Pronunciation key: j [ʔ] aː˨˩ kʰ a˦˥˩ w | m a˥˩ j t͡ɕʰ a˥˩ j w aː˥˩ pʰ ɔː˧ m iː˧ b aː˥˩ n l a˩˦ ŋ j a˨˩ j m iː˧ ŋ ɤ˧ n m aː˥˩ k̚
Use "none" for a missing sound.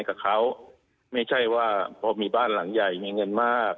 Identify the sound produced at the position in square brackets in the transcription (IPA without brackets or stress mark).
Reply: k